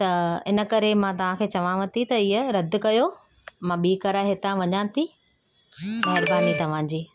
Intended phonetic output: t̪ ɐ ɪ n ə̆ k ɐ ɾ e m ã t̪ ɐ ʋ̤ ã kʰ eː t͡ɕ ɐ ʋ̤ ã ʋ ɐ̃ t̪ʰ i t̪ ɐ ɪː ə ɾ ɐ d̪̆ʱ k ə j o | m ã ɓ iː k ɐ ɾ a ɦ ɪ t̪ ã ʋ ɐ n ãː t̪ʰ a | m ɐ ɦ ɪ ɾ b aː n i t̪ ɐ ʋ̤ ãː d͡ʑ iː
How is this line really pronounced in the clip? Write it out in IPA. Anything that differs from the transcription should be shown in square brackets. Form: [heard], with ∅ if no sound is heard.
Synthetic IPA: t̪ ɐ ɪ n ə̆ k ɐ ɾ e m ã t̪ ɐ ʋ̤ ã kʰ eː t͡ɕ ɐ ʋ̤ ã ʋ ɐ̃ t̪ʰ i t̪ ɐ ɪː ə ɾ ɐ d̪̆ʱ k [ɐ] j o | m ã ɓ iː k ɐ ɾ a ɦ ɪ t̪ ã ʋ ɐ [ɲ] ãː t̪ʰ [i] | m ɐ ɦ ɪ ɾ b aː n i t̪ ɐ ʋ̤ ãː d͡ʑ iː